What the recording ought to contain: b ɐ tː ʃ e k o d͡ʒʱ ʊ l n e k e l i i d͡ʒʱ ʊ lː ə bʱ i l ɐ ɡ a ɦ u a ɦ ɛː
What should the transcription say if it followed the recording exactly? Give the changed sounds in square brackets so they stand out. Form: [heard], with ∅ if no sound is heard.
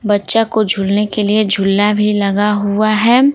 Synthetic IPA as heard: b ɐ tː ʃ [a] k o d͡ʒʱ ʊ l n e k e l i [e] d͡ʒʱ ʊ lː [a] bʱ i l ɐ ɡ a ɦ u a ɦ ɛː